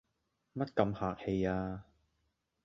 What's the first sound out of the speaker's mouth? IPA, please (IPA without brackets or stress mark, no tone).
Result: m